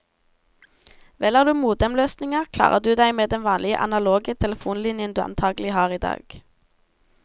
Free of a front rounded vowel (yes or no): no